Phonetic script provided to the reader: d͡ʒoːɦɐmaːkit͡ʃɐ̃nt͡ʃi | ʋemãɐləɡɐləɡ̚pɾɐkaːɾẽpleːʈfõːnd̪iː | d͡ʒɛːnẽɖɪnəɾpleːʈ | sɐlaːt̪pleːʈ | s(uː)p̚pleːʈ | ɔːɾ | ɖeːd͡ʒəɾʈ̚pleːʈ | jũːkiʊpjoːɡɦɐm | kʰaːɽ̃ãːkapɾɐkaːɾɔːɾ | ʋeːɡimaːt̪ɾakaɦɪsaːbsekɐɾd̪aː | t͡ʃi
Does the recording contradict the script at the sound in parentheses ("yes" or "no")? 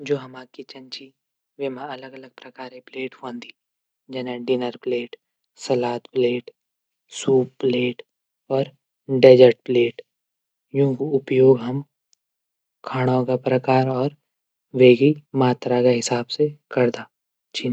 no